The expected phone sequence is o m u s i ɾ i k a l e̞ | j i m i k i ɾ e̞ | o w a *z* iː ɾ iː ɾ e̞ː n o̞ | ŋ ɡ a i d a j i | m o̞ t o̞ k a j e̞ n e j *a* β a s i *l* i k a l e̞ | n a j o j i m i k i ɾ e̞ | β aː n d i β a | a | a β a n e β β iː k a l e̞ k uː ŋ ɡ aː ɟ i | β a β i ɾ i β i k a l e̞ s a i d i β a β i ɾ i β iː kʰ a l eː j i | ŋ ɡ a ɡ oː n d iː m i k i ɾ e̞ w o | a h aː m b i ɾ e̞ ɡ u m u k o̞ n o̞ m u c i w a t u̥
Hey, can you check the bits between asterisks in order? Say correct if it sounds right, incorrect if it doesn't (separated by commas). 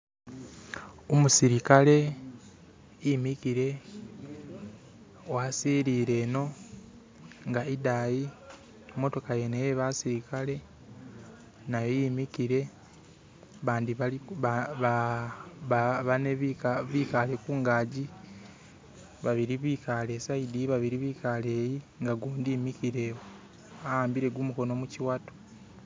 incorrect, incorrect, incorrect